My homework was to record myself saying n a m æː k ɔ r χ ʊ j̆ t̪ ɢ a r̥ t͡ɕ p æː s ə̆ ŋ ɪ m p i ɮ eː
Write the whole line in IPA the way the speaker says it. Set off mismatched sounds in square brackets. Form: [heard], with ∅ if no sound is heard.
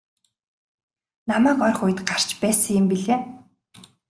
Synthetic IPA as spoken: n a m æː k ɔ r χ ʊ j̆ t̪ ɢ a r̥ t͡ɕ p æː s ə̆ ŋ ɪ m p i ɮ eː